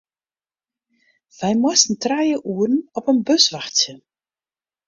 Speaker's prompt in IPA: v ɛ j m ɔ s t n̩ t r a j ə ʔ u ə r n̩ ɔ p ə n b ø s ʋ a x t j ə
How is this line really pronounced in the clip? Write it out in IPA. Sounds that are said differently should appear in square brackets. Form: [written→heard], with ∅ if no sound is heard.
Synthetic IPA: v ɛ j m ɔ s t n̩ t r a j ə ʔ u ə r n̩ ɔ p ə n b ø s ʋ a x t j ə